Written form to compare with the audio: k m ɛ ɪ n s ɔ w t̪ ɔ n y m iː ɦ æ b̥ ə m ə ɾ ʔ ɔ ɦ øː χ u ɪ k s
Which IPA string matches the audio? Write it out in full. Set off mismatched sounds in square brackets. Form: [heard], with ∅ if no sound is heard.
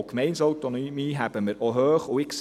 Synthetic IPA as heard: k m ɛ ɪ n s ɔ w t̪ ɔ n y m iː ɦ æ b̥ ə m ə ɾ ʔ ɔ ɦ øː χ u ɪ k s